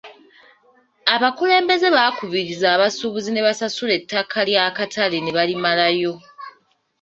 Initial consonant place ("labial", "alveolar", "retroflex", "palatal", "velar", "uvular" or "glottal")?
labial